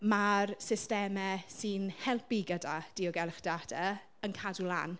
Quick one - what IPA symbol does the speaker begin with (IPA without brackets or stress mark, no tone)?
m